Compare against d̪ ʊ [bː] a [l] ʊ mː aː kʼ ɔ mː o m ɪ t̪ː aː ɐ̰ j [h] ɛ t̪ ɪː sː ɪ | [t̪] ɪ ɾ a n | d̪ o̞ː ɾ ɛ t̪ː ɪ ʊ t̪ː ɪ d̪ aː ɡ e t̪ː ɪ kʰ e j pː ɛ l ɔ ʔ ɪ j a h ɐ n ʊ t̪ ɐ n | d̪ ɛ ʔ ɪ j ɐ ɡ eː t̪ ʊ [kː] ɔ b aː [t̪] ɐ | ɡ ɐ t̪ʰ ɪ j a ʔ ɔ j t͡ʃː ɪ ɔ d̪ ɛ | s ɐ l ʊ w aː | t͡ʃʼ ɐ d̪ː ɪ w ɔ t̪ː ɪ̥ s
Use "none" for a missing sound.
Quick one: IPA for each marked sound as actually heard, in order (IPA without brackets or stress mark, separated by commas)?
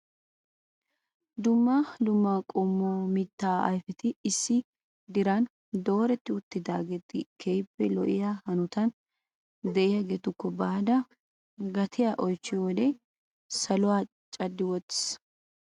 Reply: mː, l, f, d̪, kː, d̪